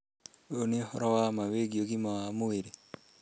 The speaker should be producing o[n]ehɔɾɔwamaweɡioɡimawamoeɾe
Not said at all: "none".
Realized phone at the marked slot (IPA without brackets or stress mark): n